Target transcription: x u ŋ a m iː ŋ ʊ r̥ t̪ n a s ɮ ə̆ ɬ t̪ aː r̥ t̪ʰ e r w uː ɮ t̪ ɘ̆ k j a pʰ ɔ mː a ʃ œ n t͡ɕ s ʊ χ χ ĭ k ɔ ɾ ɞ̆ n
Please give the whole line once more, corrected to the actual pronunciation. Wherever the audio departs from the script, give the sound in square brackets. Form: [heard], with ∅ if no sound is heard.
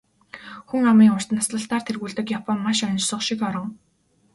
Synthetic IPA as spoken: x u ŋ a m iː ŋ ʊ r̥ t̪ n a s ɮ ə̆ ɬ t̪ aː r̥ t̪ʰ e r [ɣ] uː ɮ t̪ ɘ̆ k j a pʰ ɔ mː a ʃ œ n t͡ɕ s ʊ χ [ʃ] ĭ k ɔ ɾ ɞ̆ [ŋ]